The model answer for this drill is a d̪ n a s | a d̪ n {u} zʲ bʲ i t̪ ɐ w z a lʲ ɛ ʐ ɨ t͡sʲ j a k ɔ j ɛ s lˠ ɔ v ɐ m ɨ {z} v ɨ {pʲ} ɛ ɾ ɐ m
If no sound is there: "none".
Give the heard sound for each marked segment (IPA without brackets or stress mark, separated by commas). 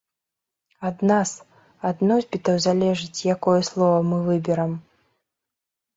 ɔ, none, bʲ